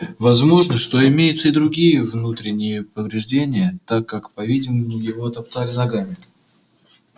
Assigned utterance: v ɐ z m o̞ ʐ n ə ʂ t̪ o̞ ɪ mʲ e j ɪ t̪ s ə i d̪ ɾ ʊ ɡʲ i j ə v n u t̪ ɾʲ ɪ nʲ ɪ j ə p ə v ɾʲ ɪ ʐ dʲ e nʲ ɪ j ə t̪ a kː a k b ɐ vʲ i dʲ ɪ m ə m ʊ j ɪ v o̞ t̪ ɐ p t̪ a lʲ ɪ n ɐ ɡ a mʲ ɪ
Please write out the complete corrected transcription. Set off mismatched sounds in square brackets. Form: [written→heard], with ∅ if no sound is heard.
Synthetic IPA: v ɐ z m o̞ ʐ n ə ʂ t̪ o̞ ɪ mʲ e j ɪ t̪ s ə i d̪ ɾ ʊ ɡʲ i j ə v n u t̪ ɾʲ ɪ nʲ ɪ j ə p ə v ɾʲ ɪ ʐ dʲ e nʲ ɪ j ə t̪ a kː a k [b→p] ɐ vʲ i dʲ ɪ m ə m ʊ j ɪ v o̞ t̪ ɐ p t̪ a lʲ ɪ n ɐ ɡ a mʲ ɪ